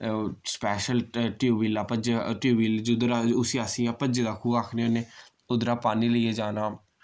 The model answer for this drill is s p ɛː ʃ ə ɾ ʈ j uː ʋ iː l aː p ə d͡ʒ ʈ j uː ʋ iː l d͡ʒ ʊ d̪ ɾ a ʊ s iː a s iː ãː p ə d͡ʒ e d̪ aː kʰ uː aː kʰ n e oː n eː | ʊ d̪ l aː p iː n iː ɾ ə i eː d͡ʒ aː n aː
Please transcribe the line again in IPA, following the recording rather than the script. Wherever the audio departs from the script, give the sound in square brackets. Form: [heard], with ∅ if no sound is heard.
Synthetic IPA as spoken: s p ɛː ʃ ə [l] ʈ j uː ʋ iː l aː p ə d͡ʒ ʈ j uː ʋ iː l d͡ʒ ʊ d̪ ɾ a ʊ s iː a s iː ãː p ə d͡ʒ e d̪ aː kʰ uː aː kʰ n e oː n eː | ʊ d̪ [ɾ] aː p [aː] n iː [l] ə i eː d͡ʒ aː n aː